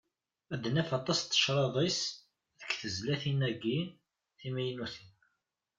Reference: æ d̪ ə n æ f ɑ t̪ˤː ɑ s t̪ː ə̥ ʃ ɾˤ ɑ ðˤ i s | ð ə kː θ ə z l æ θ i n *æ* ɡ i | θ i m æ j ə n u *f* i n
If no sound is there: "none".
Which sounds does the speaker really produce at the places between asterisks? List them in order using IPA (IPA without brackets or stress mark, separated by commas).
æ, θ